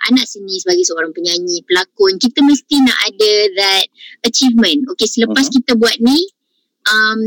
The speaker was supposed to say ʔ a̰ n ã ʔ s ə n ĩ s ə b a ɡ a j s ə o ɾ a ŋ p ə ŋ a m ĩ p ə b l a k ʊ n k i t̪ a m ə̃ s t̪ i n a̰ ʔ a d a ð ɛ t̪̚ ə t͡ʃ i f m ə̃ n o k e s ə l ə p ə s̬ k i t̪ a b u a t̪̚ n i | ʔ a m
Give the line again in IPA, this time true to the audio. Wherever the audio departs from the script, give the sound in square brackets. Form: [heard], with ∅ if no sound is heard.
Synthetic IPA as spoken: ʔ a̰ n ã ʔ s ə n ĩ s ə b a ɡ a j s ə o ɾ a ŋ p ə [ɲ] a [ɲ] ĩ p ə [∅] l a k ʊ n k i t̪ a m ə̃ s t̪ i n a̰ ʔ a d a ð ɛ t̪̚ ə t͡ʃ i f m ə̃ n o k e s ə l ə p [a] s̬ k i t̪ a b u a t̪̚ n i | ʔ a m